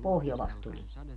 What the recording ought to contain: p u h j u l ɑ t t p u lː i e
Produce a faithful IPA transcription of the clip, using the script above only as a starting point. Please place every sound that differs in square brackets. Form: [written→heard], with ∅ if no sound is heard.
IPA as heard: p [u→o] h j [u→o] l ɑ [t→s] t [p→t] u [lː→l] i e

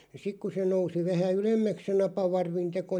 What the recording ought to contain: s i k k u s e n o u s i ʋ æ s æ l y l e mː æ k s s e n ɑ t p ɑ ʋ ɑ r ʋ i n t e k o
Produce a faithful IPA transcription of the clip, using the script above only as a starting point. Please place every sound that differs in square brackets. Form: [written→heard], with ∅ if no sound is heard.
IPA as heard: s i k k u s e n o u s i ʋ æ [s→h] æ [l→∅] y l e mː æ k s s e n ɑ [t→∅] p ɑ ʋ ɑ r ʋ i n t e k o

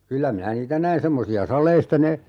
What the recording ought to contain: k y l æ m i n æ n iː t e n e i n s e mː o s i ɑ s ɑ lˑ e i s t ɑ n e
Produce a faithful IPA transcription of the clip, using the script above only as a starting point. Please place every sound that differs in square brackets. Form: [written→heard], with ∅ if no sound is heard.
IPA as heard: k y [l→lː] æ m i n æ n iː t [e→æ] n [e→æ] i n s e mː o s i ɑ s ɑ lˑ e i s t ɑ n e

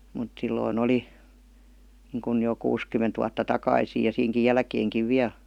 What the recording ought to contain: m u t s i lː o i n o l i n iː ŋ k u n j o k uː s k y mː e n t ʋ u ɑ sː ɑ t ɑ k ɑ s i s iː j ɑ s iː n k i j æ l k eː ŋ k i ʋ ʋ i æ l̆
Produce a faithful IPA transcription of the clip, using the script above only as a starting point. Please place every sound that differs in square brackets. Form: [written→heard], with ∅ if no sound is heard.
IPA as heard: m u t s i lː o i n o l i n iː ŋ k u n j o k uː s k y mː e n t ʋ u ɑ [sː→tː] ɑ t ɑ k ɑ [s→∅] i s iː j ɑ s iː [n→ŋ] k i j æ l k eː ŋ k i ʋ ʋ i æ l̆

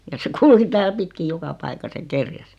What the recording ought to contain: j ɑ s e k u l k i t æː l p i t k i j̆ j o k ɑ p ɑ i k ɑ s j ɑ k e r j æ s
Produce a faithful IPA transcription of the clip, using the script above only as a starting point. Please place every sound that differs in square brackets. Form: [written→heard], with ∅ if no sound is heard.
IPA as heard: j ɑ s e k u l k i t æː l p i t k i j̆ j o k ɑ p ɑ i k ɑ s j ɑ k e r j æ s

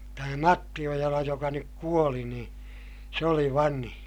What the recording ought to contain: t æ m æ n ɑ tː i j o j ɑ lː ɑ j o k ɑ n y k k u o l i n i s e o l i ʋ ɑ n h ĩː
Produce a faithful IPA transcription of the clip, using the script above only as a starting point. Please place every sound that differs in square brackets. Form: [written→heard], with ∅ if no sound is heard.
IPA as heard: t æ m æ [n→m] ɑ tː i [j→∅] o j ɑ [lː→l] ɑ j o k ɑ n y k k u o l i n [i→iː] s e o l i ʋ ɑ n h ĩː

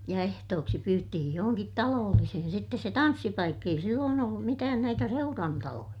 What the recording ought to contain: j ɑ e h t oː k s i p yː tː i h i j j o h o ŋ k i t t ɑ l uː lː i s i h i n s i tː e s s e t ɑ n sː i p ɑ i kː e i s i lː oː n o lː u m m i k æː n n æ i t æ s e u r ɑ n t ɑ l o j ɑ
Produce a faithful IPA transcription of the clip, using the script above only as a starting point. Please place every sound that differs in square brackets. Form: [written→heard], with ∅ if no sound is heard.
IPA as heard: j ɑ e h t oː k s i p yː tː i h i j j o h o ŋ k i t t ɑ l [uː→oː] lː i s i h i n s i tː e s s e t ɑ n sː i p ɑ i kː e i s i lː oː n o lː u m m i [k→t] æː n n æ i t æ s e u r ɑ n t ɑ l o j ɑ

